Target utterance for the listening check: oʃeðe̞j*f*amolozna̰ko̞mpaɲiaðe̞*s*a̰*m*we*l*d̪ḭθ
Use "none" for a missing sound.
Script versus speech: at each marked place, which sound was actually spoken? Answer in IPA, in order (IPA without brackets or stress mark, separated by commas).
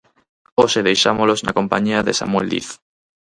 ʃ, s, m, l